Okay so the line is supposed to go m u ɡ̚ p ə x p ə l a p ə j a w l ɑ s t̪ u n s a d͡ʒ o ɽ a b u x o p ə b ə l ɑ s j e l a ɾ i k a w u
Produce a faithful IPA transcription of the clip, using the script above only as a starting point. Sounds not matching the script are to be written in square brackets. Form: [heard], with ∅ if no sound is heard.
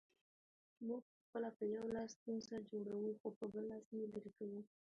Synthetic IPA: m u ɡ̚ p ə x p ə l a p ə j a w l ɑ s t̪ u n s a d͡ʒ o ɽ a [w] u x o p ə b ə l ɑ s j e l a ɾ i k a w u